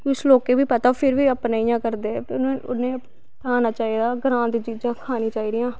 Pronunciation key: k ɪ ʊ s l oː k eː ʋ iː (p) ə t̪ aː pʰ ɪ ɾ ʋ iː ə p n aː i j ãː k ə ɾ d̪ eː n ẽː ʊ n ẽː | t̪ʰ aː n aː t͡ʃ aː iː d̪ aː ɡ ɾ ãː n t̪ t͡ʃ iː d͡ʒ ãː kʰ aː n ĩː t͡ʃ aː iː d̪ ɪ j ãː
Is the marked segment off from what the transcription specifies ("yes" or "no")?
no